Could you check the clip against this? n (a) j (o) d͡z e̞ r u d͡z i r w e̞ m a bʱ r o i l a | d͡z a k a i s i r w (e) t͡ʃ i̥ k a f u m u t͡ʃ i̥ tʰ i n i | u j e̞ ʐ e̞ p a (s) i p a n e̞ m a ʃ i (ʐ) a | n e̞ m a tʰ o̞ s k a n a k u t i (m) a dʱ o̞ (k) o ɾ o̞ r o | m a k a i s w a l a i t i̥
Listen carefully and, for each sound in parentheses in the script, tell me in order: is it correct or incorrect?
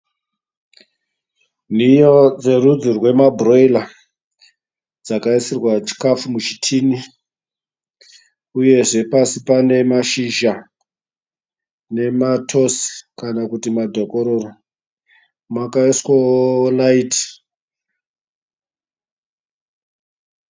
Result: incorrect, correct, incorrect, correct, incorrect, correct, correct

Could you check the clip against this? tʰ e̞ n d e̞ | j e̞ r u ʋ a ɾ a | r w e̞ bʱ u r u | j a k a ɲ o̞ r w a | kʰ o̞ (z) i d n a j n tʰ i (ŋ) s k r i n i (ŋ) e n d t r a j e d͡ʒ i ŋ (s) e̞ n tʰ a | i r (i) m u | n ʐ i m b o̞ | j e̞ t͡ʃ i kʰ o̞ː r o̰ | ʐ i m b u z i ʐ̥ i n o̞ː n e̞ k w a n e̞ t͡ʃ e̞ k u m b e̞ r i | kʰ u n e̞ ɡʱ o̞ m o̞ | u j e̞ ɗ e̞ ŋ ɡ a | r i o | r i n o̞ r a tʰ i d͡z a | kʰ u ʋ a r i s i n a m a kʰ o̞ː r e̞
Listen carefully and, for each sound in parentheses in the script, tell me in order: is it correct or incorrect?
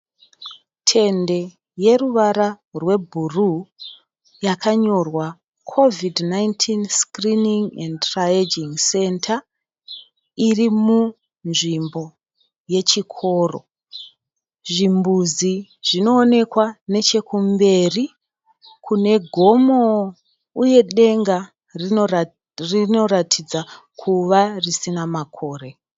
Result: incorrect, incorrect, correct, correct, correct

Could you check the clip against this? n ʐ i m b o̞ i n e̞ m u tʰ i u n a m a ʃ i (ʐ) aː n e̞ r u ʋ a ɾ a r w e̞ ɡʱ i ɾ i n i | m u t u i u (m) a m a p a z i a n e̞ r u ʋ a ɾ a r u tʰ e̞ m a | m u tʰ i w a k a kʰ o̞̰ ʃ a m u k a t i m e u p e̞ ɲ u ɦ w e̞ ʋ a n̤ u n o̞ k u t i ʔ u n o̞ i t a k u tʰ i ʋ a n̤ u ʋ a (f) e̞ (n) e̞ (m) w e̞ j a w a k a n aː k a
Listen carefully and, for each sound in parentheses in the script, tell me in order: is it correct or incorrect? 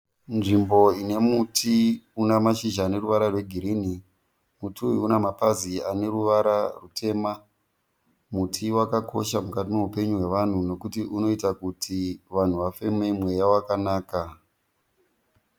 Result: incorrect, incorrect, correct, incorrect, correct

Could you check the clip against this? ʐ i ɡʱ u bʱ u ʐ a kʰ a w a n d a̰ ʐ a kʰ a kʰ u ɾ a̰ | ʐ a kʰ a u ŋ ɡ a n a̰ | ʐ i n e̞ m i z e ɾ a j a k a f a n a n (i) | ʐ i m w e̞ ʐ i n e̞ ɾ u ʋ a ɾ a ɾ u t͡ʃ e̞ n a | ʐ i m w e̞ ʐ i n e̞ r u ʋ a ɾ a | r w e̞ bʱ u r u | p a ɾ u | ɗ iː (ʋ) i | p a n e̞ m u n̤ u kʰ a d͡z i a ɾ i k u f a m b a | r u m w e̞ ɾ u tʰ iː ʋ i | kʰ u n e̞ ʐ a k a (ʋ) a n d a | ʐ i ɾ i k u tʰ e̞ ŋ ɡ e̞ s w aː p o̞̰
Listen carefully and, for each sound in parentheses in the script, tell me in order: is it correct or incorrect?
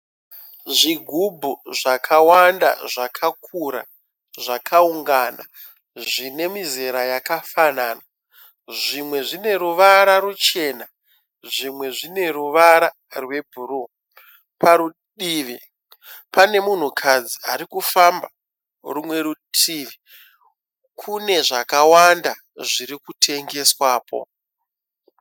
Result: incorrect, correct, incorrect

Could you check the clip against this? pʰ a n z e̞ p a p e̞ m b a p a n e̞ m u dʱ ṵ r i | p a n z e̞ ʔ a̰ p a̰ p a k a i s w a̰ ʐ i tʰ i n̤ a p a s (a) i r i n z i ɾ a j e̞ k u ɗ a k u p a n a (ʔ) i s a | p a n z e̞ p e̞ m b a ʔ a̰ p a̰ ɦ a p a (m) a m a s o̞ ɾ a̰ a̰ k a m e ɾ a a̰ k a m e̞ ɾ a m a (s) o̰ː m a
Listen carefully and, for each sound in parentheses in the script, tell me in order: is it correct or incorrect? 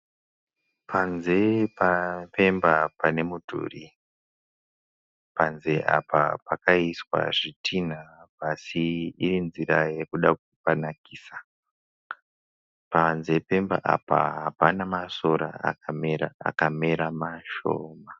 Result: incorrect, incorrect, incorrect, incorrect

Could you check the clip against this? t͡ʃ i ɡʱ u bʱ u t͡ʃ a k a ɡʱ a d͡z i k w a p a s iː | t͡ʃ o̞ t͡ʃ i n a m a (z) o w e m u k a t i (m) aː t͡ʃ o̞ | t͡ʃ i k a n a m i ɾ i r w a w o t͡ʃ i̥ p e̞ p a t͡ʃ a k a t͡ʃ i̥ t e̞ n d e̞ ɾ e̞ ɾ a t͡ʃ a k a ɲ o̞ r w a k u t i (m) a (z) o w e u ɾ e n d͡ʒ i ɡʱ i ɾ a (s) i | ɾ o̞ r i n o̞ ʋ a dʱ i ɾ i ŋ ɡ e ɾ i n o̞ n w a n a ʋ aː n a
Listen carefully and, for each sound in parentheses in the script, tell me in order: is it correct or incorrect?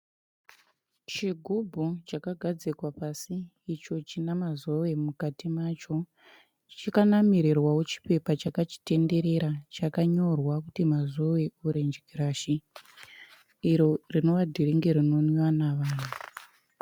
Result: correct, correct, correct, correct, incorrect

